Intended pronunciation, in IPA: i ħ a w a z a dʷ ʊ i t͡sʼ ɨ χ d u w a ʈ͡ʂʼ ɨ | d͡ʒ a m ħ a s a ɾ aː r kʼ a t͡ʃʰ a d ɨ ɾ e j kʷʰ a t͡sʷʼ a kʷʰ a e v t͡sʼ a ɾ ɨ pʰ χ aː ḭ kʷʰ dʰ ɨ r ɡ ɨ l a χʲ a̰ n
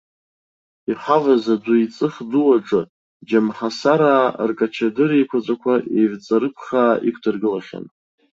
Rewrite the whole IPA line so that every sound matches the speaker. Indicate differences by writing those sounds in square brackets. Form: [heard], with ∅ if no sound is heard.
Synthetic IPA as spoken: i ħ a [v] a z a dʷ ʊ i t͡sʼ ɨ χ d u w a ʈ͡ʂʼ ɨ | d͡ʒ a m ħ a s a ɾ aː r kʼ a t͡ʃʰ a d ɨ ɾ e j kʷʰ a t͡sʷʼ a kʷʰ a e v t͡sʼ a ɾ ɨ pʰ χ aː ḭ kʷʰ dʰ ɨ r ɡ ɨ l a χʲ a̰ n